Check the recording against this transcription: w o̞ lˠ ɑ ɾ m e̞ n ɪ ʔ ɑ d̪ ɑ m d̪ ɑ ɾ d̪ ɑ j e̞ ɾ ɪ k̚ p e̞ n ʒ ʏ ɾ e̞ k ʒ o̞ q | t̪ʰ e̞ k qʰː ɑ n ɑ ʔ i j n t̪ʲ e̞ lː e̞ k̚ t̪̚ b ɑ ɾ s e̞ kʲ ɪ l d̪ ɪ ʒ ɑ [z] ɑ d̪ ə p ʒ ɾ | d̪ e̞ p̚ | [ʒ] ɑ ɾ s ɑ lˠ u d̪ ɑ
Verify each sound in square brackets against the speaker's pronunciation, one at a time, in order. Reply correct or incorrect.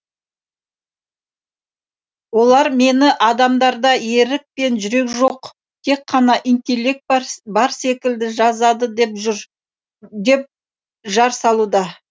correct, correct

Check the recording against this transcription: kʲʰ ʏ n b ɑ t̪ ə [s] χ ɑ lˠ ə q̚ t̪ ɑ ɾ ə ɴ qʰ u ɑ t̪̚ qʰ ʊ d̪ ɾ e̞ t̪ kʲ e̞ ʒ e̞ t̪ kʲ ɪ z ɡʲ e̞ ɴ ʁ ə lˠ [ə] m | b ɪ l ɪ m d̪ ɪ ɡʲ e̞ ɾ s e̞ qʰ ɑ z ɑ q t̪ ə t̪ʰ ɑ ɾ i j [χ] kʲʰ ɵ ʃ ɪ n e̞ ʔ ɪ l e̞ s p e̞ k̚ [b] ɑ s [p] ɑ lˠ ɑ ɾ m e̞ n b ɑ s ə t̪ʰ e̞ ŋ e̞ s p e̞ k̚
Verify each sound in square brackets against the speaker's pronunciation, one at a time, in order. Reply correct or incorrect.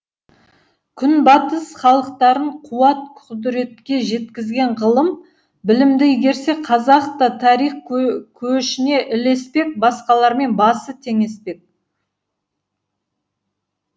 correct, correct, correct, correct, incorrect: q

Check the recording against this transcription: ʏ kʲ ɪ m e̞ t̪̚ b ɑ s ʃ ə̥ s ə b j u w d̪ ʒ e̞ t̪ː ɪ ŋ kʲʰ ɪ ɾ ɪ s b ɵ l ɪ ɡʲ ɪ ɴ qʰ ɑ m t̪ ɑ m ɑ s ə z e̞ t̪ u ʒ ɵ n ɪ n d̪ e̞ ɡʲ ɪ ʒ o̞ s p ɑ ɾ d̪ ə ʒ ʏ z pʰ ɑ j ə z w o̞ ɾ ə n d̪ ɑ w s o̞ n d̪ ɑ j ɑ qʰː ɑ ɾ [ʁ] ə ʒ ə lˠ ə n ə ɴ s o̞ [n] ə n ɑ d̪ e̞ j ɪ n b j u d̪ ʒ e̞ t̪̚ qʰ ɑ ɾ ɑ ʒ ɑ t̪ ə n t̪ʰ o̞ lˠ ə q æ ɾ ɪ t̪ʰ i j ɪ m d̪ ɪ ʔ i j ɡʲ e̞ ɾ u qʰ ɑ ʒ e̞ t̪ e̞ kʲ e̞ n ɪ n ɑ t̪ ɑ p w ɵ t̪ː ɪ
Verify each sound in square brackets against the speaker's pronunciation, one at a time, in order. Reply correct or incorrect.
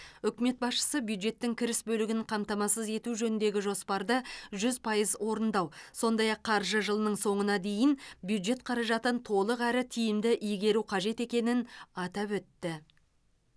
incorrect: ʒ, incorrect: ɴ

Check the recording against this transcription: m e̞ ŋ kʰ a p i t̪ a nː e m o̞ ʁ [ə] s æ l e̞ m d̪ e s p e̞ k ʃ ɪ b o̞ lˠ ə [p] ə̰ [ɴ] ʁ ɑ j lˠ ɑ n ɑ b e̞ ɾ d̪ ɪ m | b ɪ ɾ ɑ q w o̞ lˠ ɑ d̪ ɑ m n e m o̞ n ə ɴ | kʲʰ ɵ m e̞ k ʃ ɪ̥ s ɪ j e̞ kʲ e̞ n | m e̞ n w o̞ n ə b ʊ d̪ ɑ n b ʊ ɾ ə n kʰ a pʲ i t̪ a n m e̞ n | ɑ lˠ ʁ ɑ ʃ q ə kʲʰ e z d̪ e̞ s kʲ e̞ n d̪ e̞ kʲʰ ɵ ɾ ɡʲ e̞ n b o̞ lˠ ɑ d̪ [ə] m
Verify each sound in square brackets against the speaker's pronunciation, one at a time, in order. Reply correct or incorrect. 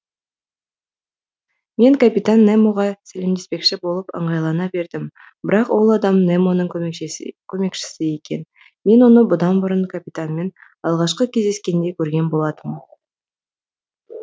incorrect: ɑ, correct, correct, correct

